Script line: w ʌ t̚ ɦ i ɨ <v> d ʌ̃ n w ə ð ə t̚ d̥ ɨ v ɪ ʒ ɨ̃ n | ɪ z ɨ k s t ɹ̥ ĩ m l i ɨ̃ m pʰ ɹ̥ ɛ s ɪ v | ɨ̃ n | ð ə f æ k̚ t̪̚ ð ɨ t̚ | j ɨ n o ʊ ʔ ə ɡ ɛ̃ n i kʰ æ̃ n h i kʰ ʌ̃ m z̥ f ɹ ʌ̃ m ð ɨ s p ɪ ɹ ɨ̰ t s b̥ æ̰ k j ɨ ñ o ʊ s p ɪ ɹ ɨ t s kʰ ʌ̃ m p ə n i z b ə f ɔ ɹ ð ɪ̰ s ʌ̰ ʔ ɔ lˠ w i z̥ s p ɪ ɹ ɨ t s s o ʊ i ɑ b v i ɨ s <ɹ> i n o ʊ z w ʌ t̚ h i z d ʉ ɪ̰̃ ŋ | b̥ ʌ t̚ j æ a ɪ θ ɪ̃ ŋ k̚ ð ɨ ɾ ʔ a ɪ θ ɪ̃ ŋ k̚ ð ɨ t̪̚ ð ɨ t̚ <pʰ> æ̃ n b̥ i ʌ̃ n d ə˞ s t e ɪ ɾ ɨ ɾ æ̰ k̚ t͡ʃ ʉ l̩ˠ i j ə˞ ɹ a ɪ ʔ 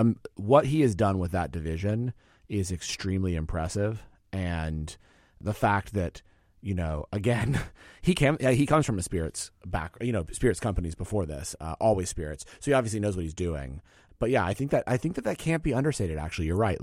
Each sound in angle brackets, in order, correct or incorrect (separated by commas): incorrect, incorrect, incorrect